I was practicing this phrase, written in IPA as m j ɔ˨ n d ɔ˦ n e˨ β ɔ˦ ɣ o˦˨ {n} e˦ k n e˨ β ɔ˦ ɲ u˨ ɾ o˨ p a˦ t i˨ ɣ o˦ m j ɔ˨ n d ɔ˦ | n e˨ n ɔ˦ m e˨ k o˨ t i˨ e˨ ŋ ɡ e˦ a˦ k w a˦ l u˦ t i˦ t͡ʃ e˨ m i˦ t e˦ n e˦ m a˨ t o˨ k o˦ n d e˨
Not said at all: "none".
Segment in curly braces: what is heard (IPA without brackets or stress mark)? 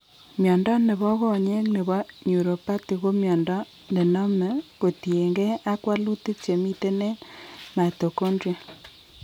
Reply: ɲ